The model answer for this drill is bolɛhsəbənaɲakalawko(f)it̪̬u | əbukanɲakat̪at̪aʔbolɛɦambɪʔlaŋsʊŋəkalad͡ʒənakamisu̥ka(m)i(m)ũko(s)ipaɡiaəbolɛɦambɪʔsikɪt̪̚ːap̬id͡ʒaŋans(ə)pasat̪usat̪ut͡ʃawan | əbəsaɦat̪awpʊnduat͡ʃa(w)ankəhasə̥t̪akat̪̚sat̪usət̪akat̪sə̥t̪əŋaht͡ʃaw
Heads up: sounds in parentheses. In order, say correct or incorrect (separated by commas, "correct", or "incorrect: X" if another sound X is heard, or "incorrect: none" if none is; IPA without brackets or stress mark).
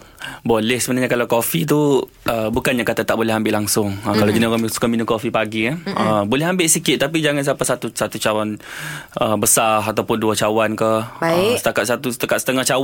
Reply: correct, correct, incorrect: n, incorrect: f, incorrect: a, correct